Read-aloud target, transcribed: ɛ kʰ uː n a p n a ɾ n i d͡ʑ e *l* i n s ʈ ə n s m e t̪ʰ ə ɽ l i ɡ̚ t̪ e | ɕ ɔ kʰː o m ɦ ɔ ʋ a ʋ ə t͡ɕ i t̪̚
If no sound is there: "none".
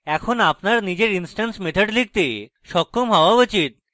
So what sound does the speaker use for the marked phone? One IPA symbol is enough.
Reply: ɾ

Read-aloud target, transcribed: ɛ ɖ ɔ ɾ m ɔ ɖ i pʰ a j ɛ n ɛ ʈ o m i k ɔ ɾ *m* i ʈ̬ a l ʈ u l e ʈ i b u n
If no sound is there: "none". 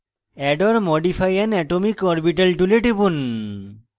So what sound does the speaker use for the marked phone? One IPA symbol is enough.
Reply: b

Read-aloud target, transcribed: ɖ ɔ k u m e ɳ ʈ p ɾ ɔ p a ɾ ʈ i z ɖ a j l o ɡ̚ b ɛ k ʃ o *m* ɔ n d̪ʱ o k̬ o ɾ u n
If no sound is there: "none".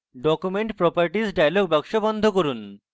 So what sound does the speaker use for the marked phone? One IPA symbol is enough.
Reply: b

